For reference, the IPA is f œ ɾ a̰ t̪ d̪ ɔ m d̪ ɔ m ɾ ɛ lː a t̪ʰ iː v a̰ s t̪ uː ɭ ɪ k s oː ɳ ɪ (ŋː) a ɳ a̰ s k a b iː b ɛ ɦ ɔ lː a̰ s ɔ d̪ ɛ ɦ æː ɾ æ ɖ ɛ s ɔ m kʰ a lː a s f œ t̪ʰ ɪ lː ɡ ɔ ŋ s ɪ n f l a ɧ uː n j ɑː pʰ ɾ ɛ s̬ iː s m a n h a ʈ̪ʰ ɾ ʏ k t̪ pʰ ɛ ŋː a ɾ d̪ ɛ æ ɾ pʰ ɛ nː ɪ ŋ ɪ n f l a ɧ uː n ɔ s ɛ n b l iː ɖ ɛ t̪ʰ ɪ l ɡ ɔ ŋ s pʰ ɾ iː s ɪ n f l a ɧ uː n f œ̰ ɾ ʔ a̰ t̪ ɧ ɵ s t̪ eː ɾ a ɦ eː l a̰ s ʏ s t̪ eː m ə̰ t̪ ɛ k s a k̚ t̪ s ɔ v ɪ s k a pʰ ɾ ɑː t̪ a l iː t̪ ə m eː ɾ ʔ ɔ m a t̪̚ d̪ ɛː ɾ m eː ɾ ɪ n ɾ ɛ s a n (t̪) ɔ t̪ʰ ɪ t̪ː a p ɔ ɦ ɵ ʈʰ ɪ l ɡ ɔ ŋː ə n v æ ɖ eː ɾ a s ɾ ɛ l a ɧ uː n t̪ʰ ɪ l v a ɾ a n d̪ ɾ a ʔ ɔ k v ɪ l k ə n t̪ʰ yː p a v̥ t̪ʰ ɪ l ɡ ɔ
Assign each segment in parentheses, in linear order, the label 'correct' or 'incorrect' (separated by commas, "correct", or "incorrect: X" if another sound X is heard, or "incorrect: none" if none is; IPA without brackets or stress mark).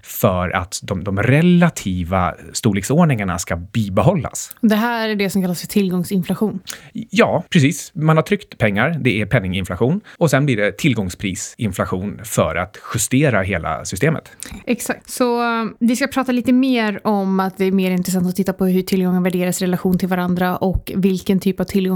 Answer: incorrect: ŋ, correct